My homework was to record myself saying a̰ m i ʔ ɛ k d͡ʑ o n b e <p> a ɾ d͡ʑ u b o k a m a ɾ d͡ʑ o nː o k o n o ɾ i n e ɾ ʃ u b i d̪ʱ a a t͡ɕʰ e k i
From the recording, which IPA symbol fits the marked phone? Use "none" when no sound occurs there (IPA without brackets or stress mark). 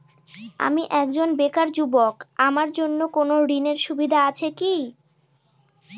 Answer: k